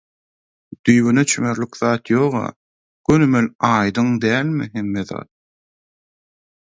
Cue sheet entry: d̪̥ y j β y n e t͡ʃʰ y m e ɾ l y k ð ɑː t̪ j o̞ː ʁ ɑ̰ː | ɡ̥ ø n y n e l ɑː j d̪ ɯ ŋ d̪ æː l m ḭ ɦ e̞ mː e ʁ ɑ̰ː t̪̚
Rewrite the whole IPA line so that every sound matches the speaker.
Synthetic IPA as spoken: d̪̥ y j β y n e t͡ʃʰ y m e ɾ l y k ð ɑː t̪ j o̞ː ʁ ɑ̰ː | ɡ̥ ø n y m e l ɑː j d̪ ɯ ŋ d̪ æː l m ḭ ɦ e̞ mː e ð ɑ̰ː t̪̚